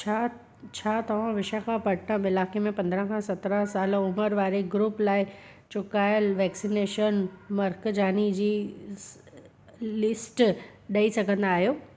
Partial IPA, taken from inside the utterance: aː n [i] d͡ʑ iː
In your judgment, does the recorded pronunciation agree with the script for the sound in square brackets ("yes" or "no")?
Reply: yes